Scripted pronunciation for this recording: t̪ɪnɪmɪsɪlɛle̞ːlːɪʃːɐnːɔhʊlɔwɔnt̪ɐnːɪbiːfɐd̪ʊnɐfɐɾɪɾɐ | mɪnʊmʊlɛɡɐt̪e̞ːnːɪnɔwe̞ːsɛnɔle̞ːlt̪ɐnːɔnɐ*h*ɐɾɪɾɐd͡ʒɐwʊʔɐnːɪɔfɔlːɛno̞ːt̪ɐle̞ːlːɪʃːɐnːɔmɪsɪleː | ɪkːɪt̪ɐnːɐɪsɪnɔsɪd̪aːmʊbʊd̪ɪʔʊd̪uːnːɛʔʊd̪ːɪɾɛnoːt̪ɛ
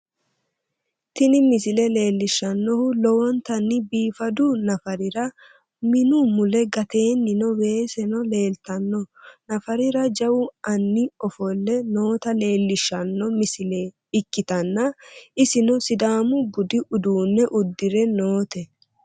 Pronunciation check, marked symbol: incorrect: f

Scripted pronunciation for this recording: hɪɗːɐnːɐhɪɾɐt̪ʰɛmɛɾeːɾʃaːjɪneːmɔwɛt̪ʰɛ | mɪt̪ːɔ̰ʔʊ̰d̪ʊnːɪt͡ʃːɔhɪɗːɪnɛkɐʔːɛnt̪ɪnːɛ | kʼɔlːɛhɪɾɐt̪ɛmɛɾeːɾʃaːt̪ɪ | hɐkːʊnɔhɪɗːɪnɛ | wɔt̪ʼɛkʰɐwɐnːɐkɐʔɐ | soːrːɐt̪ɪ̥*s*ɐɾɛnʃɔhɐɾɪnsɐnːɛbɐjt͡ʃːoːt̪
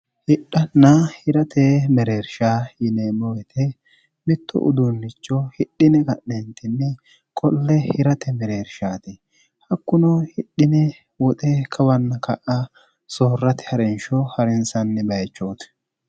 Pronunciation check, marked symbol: incorrect: h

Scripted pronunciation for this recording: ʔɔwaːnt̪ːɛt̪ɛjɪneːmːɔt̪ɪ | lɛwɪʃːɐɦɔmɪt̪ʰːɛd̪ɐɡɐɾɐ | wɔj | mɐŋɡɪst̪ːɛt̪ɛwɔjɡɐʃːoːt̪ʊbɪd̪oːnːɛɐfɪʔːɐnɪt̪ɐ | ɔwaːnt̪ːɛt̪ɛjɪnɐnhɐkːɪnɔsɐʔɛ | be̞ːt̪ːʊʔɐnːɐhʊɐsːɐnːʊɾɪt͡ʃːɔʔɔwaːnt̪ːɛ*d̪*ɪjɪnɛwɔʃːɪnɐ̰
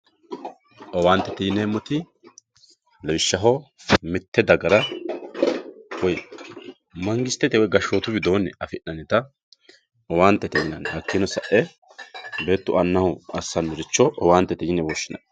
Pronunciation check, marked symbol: incorrect: t̪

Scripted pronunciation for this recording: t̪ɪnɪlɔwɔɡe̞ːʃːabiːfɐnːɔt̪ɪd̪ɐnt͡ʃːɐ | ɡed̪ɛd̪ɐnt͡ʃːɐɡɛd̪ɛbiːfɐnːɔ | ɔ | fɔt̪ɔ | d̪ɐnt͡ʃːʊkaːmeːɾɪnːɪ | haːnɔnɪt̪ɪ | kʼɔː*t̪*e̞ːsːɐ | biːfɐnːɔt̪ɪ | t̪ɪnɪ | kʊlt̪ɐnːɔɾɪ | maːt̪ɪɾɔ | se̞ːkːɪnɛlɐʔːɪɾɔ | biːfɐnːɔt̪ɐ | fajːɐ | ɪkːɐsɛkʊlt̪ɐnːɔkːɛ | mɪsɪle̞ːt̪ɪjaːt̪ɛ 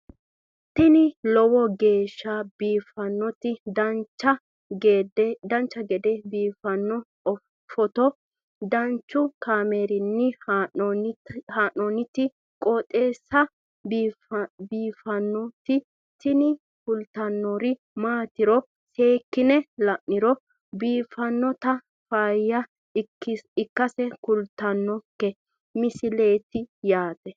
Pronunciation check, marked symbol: incorrect: t̪ʼ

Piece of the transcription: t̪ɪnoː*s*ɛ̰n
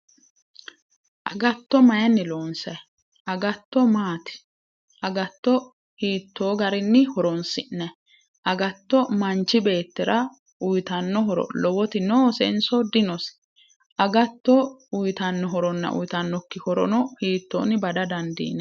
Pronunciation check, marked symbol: correct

